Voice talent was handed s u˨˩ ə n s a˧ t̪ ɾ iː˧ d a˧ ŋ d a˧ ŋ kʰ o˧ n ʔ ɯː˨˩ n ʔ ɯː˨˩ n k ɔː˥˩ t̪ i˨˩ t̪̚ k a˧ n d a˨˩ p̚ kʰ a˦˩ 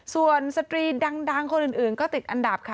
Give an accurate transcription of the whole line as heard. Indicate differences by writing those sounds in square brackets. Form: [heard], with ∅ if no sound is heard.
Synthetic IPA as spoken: s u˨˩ ə n s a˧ t̪ ɾ iː˧ d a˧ ŋ d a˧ ŋ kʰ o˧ n ʔ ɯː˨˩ n ʔ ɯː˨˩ n k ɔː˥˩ t̪ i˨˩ t̪̚ [ʔ] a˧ n d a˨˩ p̚ kʰ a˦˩